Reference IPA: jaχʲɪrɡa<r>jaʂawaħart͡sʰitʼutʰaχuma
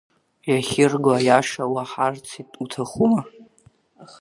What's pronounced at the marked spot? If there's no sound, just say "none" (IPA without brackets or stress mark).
none